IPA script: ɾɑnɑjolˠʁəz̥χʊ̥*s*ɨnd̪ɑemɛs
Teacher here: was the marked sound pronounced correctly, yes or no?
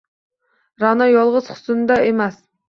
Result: yes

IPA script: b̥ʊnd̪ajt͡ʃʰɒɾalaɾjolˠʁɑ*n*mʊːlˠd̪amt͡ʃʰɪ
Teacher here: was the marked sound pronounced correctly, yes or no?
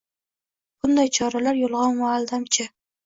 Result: yes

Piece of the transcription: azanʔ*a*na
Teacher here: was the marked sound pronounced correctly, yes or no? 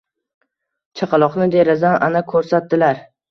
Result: yes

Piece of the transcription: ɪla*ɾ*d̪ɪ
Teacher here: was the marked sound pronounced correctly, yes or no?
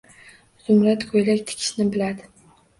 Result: no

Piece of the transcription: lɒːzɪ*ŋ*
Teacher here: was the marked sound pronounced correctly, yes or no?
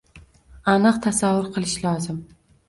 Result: no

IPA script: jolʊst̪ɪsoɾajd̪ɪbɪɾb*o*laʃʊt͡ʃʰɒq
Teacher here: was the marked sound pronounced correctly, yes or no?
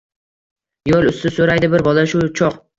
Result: no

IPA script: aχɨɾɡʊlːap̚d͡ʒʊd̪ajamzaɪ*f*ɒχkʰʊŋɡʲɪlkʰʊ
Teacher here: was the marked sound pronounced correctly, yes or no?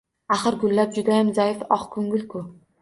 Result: yes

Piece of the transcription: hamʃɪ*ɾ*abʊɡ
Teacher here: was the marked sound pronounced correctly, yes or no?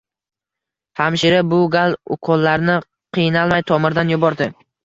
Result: yes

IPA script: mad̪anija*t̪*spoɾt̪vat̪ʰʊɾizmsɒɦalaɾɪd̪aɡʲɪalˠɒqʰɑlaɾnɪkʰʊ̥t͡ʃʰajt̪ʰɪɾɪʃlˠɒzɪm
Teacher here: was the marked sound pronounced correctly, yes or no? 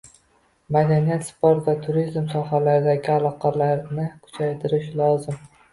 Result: yes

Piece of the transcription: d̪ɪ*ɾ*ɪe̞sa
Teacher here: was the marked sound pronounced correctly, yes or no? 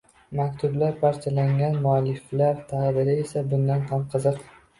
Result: yes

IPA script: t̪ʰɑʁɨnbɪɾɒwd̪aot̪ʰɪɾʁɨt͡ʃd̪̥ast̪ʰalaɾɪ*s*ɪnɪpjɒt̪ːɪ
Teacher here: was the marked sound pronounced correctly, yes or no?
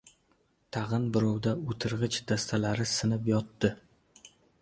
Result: yes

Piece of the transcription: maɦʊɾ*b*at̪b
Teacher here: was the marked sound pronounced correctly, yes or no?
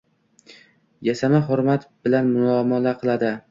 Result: no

